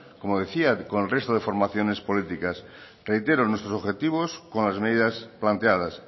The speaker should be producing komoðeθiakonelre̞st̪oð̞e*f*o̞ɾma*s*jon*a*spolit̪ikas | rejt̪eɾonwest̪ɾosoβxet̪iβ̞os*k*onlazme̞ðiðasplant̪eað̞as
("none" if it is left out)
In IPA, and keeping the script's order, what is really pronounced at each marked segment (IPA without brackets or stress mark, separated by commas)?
f, θ, e, k